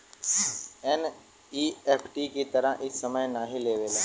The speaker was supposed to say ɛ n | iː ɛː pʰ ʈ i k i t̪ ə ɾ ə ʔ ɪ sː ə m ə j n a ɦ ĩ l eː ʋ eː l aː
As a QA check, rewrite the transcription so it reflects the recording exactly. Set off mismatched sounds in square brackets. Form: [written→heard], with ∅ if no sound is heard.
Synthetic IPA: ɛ n | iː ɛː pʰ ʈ i k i t̪ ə ɾ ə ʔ ɪ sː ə m ə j n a ɦ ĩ l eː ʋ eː l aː